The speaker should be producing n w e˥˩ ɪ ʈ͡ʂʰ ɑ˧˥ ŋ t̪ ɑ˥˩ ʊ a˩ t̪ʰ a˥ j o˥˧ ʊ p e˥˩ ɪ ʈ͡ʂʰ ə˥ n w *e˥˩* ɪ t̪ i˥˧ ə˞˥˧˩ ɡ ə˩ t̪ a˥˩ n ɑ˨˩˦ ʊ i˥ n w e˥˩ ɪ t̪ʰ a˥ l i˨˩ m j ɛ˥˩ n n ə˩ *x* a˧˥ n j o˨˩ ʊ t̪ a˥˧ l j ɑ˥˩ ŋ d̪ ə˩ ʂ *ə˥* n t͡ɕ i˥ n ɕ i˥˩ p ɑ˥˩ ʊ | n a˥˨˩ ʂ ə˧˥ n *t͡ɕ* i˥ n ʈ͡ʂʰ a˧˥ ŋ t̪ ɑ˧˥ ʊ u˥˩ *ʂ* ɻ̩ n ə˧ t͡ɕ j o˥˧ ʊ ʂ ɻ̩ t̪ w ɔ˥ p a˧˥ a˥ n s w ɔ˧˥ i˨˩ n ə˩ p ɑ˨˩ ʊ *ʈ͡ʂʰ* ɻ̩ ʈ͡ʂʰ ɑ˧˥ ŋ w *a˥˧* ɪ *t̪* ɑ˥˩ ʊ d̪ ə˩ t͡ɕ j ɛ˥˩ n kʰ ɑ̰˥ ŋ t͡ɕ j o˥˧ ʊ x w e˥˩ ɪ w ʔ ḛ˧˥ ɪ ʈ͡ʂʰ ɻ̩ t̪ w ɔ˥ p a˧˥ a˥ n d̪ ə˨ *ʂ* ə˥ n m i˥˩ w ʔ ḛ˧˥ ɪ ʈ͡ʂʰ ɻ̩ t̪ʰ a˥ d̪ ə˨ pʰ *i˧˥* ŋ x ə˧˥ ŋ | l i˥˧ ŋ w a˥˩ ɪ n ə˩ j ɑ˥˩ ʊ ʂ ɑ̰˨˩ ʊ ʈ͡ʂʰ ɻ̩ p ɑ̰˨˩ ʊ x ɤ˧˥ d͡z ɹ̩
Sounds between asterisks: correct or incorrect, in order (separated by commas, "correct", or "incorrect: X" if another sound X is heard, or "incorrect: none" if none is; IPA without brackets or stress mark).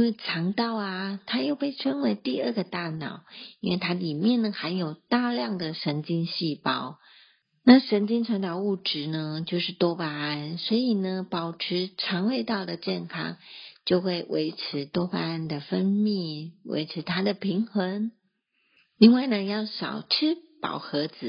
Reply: incorrect: e˧˥, correct, incorrect: ə˧˥, correct, incorrect: ʈ͡ʂ, correct, incorrect: e˥˧, correct, incorrect: f, correct